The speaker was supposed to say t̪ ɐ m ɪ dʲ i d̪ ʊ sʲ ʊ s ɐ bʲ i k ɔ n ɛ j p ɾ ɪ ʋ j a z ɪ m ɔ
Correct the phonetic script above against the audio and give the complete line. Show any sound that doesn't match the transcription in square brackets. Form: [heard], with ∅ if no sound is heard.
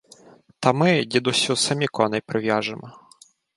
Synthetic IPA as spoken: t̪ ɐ m ɪ dʲ i d̪ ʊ sʲ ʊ s ɐ [mʲ] i k ɔ n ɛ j p ɾ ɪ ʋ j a [ʒ] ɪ m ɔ